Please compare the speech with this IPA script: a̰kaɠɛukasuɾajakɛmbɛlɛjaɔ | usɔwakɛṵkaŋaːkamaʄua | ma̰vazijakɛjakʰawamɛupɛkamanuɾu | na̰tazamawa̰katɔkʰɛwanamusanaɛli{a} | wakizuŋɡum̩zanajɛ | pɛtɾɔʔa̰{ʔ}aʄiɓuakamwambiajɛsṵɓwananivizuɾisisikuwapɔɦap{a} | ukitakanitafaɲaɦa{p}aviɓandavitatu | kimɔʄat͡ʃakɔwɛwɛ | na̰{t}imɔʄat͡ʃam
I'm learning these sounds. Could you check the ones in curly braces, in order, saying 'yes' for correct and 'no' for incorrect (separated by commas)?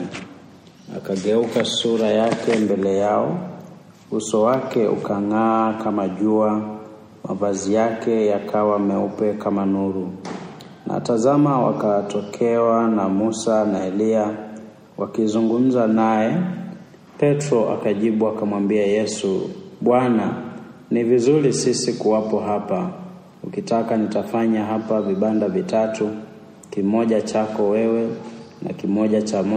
yes, no, yes, yes, no